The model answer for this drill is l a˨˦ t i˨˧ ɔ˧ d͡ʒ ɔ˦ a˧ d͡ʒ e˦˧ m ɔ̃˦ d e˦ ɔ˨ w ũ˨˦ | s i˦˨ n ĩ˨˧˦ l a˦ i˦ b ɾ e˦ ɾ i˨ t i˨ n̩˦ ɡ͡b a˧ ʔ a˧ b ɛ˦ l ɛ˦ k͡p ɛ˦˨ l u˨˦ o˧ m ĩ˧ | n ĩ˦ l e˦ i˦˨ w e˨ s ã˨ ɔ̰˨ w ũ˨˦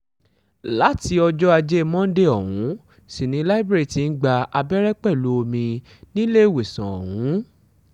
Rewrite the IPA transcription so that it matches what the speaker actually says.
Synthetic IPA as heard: l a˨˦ t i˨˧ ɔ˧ d͡ʒ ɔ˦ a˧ d͡ʒ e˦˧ m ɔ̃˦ d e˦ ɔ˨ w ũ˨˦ | s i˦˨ n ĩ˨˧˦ l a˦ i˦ b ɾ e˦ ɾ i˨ t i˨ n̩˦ ɡ͡b a˧ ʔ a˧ b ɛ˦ ɾ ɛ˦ k͡p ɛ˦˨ l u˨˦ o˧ m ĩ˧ | n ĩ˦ l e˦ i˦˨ w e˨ s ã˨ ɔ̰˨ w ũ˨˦